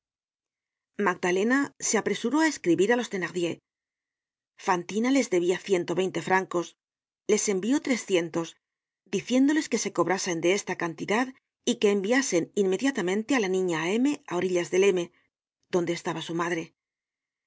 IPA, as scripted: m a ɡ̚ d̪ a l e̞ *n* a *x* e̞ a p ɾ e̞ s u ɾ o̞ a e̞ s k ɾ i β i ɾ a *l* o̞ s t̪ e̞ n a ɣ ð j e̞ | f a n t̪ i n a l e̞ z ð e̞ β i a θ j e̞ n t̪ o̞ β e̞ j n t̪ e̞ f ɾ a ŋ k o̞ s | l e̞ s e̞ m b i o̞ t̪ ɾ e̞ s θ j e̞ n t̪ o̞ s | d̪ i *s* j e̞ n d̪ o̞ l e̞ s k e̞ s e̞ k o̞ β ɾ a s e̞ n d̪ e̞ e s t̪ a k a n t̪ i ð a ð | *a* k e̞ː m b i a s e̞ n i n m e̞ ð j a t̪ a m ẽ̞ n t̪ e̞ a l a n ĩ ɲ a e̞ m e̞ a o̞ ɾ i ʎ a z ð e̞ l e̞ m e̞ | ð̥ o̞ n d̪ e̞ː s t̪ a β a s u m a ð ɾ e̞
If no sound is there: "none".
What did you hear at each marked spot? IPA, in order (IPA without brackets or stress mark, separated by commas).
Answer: n, s, l, θ, i